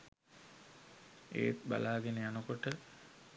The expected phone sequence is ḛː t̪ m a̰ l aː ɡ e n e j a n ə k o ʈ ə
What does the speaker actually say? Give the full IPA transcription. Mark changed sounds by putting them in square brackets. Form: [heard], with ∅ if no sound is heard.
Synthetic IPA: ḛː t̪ [b] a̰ l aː ɡ e n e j a n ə k o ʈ ə